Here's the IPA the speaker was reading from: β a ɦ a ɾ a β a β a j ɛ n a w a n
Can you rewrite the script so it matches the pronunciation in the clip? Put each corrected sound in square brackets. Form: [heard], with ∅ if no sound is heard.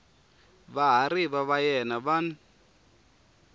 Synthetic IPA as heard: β a ɦ a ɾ [i] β a β a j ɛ n a [β] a n